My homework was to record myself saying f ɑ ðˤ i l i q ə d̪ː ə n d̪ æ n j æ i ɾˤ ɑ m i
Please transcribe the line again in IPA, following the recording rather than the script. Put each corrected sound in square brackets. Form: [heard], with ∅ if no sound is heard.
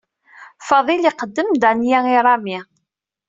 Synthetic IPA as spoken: f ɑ ðˤ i l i q ə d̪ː ə [m] d̪ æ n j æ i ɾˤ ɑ m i